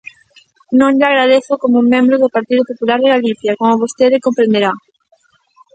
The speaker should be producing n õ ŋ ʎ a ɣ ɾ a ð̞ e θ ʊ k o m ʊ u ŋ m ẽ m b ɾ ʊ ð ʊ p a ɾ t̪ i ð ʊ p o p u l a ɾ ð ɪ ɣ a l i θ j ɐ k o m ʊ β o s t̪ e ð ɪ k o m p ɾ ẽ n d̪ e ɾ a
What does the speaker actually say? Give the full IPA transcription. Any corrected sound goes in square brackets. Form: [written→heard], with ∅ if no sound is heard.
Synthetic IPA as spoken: n õ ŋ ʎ a ɣ ɾ a ð̞ e θ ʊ k o m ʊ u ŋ m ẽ m b ɾ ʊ ð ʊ p a ɾ t̪ i ð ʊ p o p u l a ɾ ð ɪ ɣ a l i θ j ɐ k o m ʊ β o s t̪ e ð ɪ k o m p ɾ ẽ n d̪ e ɾ a